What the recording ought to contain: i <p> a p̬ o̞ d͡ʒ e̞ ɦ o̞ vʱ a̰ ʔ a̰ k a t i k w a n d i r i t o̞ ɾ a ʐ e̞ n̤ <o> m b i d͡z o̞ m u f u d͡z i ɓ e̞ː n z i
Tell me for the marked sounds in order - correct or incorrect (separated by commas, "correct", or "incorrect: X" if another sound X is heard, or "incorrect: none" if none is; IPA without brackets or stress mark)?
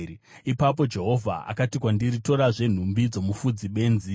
correct, incorrect: u